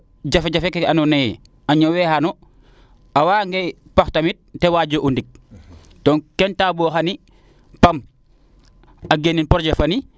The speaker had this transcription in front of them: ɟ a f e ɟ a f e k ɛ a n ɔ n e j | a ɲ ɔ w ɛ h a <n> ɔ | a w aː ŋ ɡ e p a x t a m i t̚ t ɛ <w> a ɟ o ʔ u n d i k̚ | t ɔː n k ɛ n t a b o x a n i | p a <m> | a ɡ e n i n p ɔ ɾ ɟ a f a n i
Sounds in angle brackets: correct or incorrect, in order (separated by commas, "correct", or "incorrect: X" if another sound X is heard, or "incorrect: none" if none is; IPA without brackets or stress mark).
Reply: correct, correct, correct